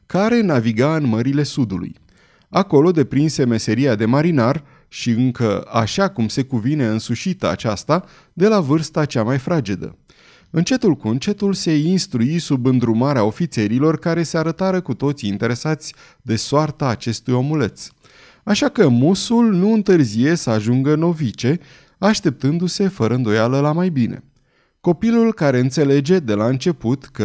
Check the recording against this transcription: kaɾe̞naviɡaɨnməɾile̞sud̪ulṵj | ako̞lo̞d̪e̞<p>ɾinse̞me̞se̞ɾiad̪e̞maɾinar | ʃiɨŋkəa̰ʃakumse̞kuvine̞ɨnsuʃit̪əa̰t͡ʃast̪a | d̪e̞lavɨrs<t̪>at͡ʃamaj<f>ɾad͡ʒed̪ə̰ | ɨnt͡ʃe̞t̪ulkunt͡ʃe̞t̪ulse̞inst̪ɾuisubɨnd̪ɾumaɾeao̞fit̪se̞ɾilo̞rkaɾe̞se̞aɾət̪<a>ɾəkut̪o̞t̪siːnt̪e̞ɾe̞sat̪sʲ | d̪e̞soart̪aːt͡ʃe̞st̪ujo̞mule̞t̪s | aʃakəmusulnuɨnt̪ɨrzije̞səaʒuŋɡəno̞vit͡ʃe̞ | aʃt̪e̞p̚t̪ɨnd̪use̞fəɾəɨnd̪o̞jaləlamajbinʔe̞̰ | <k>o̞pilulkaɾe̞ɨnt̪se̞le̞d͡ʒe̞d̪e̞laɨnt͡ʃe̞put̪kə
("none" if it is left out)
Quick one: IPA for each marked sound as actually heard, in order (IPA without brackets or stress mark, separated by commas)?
p, t̪, f, a, k